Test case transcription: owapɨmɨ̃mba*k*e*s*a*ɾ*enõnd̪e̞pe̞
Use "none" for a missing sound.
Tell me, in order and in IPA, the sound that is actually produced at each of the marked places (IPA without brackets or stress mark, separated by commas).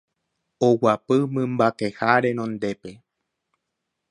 k, h, ɾ